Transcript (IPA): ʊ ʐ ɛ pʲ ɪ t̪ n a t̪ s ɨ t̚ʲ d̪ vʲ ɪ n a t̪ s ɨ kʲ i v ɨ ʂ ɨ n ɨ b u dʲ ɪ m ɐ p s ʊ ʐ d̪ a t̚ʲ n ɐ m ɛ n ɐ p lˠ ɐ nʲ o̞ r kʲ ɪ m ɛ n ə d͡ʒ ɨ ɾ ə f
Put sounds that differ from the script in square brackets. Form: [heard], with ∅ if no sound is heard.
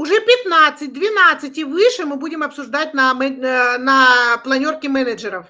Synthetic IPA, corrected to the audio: ʊ ʐ ɛ pʲ ɪ t̪ n a t̪ s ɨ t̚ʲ d̪ vʲ ɪ n a t̪ s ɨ [tʲ] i v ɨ ʂ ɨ [m] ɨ b u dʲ ɪ m ɐ p s ʊ ʐ d̪ a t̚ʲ n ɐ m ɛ n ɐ p lˠ ɐ nʲ o̞ r kʲ ɪ m ɛ n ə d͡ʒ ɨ ɾ ə f